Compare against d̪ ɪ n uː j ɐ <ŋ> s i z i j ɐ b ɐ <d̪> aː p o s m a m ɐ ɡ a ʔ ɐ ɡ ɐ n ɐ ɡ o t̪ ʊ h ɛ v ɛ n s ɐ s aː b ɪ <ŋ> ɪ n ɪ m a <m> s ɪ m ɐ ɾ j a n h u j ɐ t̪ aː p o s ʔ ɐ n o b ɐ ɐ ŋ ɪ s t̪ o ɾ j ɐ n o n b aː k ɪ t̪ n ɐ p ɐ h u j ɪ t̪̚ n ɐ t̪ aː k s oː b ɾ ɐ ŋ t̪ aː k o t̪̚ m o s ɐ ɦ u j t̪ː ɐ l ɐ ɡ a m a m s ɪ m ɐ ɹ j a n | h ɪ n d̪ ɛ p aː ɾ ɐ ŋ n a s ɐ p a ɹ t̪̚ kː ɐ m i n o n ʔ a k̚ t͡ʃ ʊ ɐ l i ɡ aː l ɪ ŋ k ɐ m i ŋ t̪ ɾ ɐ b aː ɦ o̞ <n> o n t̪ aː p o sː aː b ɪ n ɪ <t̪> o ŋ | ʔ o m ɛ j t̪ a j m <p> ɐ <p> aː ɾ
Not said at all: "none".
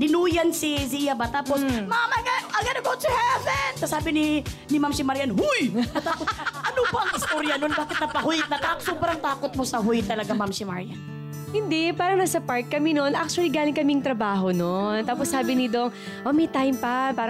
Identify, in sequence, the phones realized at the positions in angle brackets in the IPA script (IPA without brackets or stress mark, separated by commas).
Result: n, t̪, n, m, n, d̪, p, p